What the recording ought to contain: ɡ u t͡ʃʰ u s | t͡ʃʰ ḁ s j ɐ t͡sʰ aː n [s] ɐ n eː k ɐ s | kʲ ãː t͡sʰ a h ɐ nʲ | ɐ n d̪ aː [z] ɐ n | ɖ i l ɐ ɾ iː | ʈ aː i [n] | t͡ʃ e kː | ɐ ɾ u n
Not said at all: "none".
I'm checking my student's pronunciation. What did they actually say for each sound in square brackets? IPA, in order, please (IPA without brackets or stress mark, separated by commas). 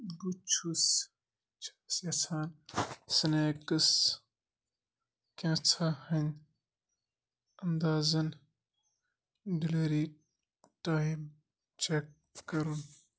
s, z, m